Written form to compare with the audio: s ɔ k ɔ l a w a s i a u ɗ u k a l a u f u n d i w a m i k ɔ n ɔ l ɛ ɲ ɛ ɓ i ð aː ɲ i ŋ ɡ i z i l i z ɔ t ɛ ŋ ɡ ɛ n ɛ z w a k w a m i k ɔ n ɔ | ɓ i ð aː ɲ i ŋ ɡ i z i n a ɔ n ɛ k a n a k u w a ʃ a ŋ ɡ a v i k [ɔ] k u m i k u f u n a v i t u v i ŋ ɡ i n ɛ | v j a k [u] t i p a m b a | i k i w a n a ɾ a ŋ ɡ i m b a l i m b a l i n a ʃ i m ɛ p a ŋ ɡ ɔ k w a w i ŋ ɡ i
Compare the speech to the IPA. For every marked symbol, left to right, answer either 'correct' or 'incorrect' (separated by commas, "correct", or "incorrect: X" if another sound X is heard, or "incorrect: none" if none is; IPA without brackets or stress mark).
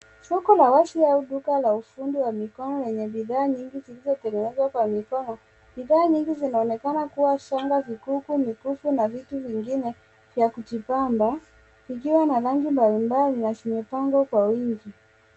incorrect: u, correct